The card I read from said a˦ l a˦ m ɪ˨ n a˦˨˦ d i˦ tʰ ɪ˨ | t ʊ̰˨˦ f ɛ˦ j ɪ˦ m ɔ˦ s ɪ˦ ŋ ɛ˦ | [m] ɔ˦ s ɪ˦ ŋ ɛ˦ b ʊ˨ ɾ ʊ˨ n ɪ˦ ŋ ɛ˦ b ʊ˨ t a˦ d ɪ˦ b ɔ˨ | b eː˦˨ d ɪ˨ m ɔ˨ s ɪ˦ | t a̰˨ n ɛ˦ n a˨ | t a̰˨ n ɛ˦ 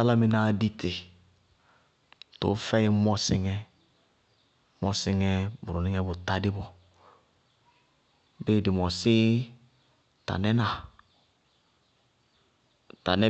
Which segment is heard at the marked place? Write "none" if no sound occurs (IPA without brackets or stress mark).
m